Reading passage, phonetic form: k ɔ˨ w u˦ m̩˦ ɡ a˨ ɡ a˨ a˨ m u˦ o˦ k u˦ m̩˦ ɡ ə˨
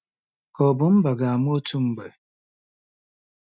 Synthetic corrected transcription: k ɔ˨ b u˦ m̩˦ b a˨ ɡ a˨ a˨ m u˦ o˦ t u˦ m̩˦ b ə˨